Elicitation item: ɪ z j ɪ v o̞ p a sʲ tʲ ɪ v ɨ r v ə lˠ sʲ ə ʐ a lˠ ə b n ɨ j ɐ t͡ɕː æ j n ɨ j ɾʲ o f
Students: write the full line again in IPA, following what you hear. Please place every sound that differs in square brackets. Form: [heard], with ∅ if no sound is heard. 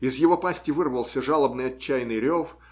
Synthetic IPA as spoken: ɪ z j ɪ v o̞ p a sʲ tʲ ɪ v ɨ r v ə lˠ sʲ ə ʐ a lˠ ə b n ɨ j ɐ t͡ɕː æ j n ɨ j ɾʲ o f